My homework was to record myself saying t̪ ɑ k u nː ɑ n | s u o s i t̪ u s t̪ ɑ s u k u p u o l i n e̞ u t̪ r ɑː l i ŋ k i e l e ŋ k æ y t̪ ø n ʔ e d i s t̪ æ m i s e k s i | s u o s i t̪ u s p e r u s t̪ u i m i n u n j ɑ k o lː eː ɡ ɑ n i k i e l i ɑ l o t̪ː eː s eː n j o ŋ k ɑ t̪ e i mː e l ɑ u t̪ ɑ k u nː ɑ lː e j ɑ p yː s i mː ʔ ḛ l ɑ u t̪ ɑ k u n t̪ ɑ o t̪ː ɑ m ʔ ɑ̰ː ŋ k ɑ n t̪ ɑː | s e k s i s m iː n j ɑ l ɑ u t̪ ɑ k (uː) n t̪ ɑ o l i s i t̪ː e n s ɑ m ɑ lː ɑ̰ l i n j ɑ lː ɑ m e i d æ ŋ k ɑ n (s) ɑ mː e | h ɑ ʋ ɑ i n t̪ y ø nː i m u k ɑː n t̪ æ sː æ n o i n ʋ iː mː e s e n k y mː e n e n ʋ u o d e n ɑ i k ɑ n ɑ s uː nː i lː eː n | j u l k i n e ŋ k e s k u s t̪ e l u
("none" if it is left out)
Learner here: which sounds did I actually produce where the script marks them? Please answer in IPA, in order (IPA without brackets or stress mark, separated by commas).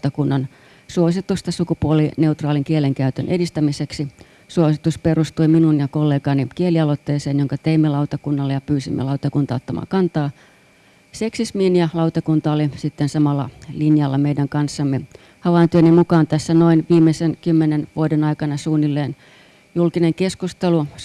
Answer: u, sː